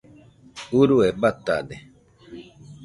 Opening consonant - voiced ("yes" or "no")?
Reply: yes